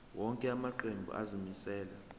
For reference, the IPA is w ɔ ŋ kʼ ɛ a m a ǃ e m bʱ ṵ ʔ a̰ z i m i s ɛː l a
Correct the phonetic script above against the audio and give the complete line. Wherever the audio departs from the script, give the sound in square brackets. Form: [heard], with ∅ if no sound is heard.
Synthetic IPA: w ɔ ŋ kʼ ɛ a m a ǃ e m bʱ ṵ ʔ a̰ z i m i s ɛː l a